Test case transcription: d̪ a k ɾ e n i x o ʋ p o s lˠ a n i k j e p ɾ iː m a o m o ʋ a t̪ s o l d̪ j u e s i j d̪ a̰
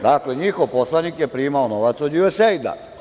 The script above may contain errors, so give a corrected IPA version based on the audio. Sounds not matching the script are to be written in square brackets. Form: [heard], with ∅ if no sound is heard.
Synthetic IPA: d̪ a k [l] e [ɲ] i x o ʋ p o s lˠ a n i k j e p ɾ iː m a o [n] o ʋ a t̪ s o [∅] d̪ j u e s [e] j d̪ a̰